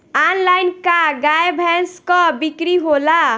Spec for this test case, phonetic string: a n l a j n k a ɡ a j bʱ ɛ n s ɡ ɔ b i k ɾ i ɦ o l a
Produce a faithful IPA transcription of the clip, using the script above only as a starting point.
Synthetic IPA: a n l a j n k a ɡ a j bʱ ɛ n s k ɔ b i k ɾ i ɦ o l a

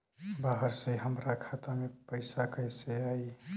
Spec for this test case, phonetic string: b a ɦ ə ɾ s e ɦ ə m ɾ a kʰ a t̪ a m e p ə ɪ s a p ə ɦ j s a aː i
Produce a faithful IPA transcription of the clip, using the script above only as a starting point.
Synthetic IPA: b a ɦ ə ɾ s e ɦ ə m ɾ a kʰ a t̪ a m e p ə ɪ s a k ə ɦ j s e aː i

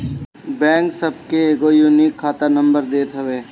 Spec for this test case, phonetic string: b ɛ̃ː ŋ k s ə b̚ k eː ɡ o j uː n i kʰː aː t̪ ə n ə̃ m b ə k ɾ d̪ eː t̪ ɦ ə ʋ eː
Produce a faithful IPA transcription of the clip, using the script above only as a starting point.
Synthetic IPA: b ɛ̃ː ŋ k s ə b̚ k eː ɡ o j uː n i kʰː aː t̪ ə n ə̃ m b ə ɾ d̪ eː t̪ ɦ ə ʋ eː

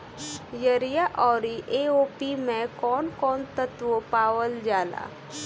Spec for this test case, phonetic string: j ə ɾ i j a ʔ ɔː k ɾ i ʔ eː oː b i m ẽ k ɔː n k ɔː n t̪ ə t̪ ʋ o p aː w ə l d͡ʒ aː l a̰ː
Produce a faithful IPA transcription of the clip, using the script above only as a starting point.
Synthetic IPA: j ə ɾ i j a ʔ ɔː ɾ i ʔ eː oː p i m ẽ k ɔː n k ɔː n t̪ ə t̪ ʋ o p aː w ə l d͡ʒ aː l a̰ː

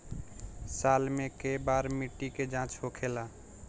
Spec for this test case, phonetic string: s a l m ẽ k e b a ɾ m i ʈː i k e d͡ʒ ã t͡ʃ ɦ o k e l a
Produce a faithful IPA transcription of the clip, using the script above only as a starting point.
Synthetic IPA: s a l m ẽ k e b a ɾ m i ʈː i k e d͡ʒ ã t͡ʃ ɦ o kʰ e l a

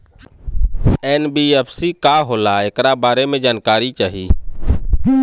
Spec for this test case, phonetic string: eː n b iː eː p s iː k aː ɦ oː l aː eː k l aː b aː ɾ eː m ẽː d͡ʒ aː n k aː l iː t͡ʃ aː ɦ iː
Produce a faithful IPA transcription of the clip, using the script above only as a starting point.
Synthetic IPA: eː n b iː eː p s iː k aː ɦ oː l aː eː k ɾ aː b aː ɾ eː m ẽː d͡ʒ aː n k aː ɾ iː t͡ʃ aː ɦ iː

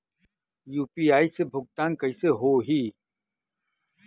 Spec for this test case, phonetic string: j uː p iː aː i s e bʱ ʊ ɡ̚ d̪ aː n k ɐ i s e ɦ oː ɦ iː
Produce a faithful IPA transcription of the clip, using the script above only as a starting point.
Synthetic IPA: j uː p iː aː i s e bʱ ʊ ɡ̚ t̪ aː n k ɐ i s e ɦ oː ɦ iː

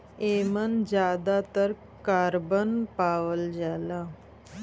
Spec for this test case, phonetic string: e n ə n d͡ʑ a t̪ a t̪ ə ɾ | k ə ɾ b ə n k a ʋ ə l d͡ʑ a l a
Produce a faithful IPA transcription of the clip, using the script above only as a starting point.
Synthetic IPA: e m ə n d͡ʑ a d̪ a t̪ ə ɾ | k a ɾ b ə n p a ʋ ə l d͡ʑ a l a

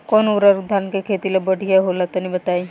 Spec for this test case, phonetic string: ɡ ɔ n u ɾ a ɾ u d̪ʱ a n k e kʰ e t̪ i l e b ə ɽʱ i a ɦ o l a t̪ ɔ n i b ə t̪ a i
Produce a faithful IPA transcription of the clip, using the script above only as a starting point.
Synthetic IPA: k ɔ n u ɾ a ɾ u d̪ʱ a n k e kʰ e t̪ i l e b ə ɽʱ i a ɦ o l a t̪ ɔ n i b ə t̪ a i

